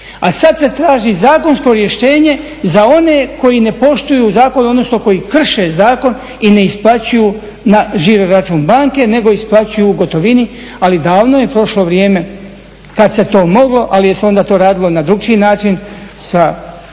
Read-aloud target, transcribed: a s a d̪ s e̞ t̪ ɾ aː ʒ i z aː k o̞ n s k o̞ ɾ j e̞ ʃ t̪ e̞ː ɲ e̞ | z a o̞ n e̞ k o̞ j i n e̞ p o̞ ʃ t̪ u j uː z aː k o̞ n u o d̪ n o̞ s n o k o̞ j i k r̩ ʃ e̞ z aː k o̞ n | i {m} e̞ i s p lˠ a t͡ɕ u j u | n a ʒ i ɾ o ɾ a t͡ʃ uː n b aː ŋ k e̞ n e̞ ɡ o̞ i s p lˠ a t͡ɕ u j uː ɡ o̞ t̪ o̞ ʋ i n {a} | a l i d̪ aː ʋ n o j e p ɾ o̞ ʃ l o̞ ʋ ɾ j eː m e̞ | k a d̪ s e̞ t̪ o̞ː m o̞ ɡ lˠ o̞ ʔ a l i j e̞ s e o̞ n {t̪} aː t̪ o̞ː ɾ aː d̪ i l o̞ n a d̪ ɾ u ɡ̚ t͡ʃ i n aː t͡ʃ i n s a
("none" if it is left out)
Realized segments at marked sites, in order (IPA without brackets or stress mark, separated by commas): n, i, d̪